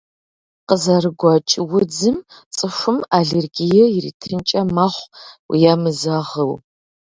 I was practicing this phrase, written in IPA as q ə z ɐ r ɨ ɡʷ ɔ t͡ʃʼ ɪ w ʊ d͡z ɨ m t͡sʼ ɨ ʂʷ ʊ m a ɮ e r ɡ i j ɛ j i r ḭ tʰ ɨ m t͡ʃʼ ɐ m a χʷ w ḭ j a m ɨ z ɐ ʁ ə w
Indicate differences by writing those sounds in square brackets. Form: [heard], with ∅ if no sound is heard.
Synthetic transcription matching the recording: q ə z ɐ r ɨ ɡʷ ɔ t͡ʃʼ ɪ w ʊ d͡z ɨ m t͡sʼ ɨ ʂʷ ʊ m a ɮ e r ɡ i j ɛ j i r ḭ tʰ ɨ [n] t͡ʃʼ ɐ m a χʷ w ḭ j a m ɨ z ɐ ʁ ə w